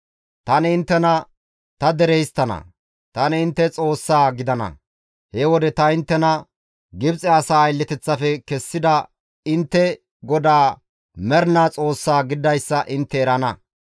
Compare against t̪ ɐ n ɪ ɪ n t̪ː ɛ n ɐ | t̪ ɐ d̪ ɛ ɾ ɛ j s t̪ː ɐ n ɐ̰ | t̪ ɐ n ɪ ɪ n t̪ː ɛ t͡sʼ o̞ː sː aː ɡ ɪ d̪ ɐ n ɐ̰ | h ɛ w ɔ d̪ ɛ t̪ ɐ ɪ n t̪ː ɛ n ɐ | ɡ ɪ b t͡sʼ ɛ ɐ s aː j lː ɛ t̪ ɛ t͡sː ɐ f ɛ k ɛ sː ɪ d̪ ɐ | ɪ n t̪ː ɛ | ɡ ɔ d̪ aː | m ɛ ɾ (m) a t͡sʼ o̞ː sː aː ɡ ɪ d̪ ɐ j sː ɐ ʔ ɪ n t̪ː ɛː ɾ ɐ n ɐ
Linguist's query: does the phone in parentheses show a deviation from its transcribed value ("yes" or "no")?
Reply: yes